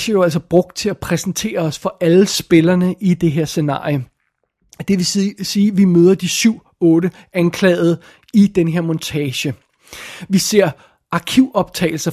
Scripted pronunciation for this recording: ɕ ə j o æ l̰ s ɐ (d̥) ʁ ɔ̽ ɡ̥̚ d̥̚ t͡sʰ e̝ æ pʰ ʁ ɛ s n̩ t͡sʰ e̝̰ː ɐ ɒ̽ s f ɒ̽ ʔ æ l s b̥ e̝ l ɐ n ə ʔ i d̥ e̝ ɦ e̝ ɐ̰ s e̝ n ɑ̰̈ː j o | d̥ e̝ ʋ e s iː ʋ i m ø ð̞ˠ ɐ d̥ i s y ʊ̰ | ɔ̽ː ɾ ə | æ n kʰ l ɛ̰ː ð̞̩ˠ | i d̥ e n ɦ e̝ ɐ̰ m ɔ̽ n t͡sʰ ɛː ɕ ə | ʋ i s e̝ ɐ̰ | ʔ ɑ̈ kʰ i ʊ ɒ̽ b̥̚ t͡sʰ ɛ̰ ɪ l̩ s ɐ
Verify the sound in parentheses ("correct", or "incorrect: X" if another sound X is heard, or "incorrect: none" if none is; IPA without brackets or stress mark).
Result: incorrect: b̥